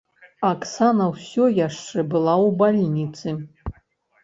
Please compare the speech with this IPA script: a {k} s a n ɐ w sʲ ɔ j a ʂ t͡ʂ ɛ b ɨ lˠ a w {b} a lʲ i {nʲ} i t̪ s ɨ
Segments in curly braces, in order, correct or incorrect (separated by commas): correct, correct, correct